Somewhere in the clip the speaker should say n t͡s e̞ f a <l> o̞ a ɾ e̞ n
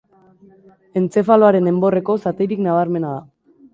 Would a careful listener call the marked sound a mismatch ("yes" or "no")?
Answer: no